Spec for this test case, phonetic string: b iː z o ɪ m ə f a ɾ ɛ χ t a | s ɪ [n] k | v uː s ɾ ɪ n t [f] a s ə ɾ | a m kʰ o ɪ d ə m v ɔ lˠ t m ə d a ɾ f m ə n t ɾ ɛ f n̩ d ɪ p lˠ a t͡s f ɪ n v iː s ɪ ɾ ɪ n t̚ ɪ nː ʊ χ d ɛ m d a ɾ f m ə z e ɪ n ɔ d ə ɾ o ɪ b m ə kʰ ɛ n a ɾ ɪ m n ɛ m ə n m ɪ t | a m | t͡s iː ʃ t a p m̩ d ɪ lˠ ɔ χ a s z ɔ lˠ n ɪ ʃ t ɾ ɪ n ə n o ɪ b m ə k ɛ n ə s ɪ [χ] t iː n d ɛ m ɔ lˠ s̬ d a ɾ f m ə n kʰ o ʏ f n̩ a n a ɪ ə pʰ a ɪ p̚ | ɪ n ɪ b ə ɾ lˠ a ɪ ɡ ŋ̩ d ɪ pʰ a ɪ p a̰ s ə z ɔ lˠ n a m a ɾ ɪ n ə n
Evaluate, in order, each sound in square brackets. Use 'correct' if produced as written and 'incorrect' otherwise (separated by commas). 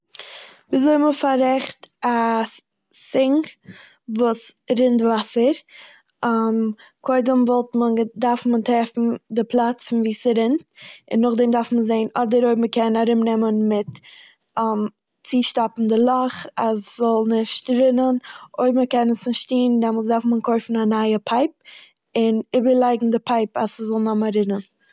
incorrect, incorrect, incorrect